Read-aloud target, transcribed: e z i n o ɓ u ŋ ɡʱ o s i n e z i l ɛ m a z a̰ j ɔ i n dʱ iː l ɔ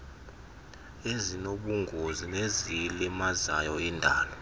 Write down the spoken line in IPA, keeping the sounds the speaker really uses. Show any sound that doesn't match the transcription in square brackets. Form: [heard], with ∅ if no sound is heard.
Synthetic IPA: e z i n o ɓ u ŋ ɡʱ o [z] i n e z i l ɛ m a z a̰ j ɔ i n dʱ [aː] l ɔ